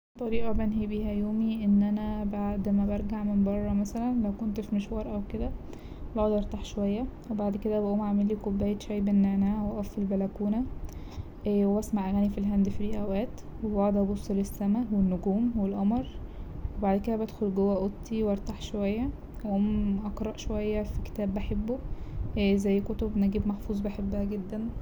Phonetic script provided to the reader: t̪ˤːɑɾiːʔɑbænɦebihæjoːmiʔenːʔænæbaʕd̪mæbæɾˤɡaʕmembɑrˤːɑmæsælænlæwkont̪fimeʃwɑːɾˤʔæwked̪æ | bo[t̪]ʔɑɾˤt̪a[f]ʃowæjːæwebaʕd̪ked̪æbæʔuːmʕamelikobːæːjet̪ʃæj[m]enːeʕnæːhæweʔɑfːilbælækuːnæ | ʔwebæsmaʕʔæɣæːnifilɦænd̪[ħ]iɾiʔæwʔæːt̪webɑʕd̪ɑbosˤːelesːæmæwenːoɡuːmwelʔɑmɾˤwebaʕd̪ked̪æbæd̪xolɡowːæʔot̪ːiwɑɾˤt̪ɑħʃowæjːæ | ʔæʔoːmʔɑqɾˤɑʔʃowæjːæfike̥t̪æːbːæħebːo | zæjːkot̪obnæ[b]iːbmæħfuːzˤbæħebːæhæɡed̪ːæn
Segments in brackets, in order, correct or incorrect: incorrect, incorrect, incorrect, incorrect, incorrect

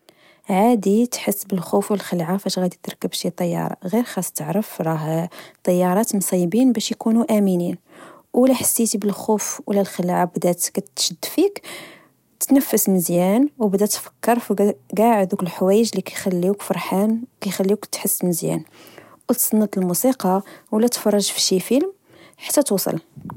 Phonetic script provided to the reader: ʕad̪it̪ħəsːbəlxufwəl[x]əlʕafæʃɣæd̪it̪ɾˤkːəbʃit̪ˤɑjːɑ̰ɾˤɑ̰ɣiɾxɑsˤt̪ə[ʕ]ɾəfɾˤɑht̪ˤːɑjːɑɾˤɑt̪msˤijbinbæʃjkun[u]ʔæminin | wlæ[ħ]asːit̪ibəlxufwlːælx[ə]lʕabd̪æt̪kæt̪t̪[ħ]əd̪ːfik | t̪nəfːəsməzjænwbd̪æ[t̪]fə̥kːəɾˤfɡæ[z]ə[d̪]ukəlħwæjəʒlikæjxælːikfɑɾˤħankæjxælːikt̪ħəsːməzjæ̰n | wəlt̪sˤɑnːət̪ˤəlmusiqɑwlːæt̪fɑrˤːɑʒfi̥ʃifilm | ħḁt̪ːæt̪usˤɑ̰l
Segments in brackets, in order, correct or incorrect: correct, correct, correct, correct, correct, incorrect, correct, incorrect, correct

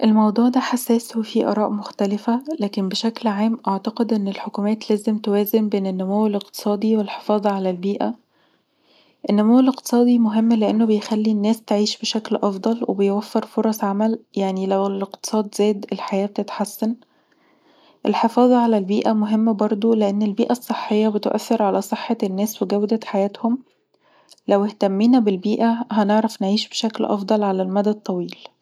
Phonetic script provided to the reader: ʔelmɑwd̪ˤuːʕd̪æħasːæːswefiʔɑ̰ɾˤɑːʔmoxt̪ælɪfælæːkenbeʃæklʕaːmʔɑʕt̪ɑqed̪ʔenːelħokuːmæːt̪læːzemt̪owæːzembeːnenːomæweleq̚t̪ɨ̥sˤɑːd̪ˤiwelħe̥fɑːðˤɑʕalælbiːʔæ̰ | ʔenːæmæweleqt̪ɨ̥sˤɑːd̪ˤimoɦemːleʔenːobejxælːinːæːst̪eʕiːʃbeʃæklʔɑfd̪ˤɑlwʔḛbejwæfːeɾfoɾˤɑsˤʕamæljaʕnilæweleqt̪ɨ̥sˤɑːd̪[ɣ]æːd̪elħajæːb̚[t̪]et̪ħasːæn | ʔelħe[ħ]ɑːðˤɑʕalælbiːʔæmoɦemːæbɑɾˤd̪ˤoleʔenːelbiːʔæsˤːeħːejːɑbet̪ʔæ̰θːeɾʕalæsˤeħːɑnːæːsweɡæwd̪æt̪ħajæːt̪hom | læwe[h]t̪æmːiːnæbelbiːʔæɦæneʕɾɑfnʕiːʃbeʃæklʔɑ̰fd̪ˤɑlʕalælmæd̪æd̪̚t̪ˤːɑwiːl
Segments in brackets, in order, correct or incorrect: incorrect, correct, incorrect, correct

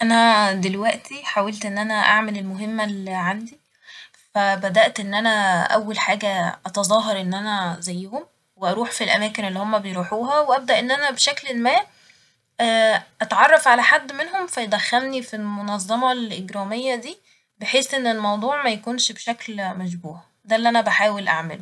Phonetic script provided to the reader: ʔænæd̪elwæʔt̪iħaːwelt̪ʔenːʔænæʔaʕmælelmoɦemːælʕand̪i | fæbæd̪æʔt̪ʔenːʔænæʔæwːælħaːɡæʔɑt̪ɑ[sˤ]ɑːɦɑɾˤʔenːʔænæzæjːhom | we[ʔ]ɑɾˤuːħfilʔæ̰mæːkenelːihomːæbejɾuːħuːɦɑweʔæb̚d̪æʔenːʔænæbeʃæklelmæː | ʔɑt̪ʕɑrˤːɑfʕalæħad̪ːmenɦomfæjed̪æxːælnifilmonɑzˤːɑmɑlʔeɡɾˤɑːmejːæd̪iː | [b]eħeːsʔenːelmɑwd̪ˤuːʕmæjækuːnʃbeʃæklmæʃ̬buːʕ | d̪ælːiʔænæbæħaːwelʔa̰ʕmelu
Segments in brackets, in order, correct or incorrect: incorrect, correct, correct

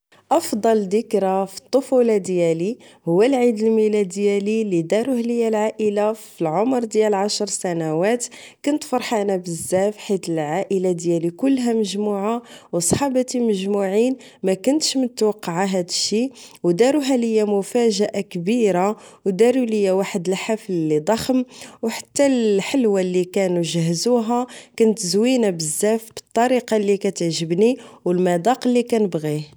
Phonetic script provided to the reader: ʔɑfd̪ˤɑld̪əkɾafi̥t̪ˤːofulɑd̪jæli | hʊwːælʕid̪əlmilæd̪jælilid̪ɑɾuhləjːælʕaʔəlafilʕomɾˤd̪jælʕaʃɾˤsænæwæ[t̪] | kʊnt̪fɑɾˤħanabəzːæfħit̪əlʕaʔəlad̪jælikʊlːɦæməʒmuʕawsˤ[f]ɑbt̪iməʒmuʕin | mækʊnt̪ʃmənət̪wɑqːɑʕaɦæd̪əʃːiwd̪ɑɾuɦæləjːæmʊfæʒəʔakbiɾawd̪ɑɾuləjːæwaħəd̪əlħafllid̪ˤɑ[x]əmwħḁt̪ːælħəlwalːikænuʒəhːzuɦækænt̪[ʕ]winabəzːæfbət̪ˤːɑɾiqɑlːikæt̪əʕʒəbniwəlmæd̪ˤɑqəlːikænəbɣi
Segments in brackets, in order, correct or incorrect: correct, incorrect, correct, incorrect

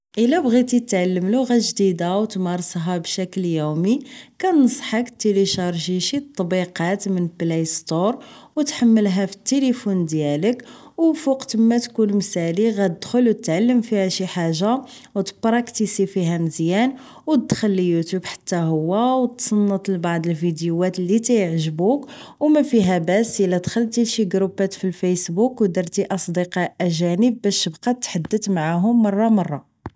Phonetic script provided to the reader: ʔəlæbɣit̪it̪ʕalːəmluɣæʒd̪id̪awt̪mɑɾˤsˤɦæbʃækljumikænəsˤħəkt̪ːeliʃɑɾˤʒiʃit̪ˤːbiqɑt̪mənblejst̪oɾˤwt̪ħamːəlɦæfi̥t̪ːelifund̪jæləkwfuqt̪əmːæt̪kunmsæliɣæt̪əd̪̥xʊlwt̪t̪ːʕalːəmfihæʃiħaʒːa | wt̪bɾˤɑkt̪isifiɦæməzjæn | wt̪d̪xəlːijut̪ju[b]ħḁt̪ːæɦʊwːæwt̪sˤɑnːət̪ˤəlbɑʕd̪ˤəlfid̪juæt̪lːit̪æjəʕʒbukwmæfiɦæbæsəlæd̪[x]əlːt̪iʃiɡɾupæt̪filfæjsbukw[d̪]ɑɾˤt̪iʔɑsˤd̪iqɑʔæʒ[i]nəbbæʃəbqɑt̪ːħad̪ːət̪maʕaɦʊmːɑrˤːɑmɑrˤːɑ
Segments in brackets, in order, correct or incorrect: correct, correct, correct, incorrect

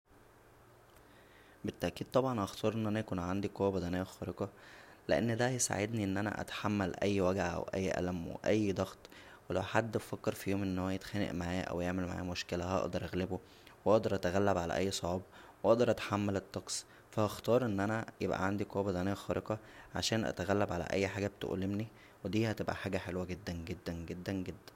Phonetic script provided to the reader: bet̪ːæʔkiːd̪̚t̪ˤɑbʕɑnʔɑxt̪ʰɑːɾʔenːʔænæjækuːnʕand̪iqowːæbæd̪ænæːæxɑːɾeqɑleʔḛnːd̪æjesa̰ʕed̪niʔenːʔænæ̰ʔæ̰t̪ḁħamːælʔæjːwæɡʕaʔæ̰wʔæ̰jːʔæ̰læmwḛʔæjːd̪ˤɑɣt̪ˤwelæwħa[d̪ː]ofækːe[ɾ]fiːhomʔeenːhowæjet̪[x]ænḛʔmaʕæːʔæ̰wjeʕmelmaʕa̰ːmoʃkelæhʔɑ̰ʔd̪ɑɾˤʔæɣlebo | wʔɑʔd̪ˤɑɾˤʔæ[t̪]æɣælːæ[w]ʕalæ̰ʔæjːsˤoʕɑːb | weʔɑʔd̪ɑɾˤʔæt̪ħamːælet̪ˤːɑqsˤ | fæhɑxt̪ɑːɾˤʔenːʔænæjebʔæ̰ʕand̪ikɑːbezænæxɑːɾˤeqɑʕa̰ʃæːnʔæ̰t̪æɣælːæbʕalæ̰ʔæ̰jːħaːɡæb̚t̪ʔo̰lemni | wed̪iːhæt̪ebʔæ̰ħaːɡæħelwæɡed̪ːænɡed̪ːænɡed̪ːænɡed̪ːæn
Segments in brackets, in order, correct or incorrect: correct, correct, correct, correct, incorrect

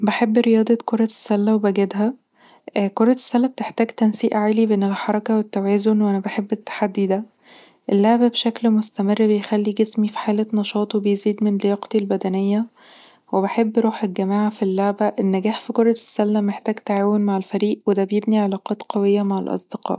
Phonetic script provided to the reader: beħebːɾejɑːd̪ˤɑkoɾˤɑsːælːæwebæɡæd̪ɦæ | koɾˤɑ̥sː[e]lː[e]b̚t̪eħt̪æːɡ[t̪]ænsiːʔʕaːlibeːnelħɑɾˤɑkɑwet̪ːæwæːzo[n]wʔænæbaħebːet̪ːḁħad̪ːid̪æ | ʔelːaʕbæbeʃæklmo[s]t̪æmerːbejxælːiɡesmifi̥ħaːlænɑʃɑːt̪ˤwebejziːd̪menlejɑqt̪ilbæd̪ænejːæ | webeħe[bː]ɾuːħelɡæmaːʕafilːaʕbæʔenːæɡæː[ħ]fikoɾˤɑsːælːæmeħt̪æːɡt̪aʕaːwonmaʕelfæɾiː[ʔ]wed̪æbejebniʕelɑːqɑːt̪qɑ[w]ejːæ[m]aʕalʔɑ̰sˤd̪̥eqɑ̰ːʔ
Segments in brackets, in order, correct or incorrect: incorrect, incorrect, correct, correct, correct, correct, correct, correct, correct, correct

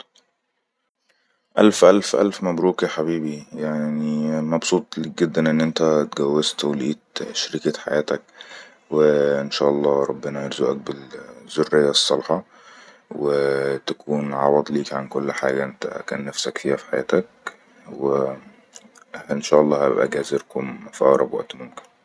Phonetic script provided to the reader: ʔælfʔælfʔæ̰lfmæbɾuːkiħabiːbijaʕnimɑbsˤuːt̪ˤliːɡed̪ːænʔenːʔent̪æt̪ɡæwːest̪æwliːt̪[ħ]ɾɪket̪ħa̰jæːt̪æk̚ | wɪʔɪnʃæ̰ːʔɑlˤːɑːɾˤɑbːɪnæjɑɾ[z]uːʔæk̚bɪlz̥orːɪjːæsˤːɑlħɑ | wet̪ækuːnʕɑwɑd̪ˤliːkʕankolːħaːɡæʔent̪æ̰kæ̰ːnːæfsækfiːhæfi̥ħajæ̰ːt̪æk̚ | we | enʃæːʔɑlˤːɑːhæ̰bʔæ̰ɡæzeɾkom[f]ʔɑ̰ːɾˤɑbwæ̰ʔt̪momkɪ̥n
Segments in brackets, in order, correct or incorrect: incorrect, correct, correct

